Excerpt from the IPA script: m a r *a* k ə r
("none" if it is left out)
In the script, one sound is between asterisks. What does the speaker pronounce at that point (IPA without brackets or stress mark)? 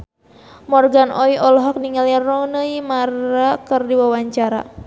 a